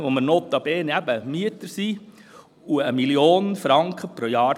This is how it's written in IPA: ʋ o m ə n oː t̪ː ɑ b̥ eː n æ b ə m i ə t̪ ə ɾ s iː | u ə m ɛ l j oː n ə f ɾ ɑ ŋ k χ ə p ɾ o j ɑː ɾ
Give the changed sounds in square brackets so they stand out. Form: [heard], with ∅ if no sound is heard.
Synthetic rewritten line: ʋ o m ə n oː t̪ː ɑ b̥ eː n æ b ə m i ə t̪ ə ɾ s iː | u ə m [i] l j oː n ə f ɾ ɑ ŋ k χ ə p ɾ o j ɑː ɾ